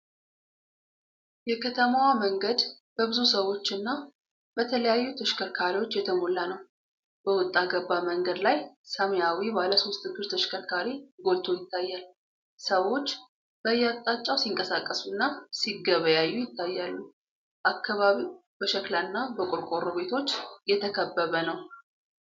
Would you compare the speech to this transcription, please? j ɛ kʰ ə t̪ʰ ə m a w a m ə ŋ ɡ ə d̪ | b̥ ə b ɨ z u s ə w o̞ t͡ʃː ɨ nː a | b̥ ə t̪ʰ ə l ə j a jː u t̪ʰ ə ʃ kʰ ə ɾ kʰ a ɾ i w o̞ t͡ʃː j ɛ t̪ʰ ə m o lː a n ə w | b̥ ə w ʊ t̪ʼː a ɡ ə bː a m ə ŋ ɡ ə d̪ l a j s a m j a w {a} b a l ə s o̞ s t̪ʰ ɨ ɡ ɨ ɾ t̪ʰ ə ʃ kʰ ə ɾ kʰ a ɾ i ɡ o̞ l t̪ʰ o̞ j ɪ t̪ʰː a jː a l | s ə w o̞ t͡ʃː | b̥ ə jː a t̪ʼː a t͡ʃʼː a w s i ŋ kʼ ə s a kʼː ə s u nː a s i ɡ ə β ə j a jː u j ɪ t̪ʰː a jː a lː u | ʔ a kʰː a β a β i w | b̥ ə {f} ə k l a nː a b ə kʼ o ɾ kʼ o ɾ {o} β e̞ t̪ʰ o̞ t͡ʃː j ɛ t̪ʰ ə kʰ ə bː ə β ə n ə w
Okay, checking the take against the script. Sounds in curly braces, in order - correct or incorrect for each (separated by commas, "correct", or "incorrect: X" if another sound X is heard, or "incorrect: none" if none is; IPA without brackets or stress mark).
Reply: incorrect: i, incorrect: ʃ, correct